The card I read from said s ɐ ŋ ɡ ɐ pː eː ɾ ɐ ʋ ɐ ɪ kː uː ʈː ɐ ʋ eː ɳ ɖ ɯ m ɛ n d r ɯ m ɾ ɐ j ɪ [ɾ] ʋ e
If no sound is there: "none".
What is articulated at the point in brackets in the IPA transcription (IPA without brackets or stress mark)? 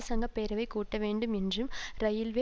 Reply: l